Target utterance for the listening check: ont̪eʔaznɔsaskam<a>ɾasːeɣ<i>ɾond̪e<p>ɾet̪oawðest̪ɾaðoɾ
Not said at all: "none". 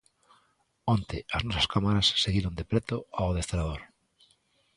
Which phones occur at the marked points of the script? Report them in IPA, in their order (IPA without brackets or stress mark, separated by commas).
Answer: a, i, p